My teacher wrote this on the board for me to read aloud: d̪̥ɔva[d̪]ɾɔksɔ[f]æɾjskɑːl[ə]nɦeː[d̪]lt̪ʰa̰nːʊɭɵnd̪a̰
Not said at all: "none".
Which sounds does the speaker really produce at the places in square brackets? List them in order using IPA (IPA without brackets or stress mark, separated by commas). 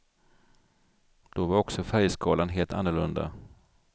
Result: none, f, a, none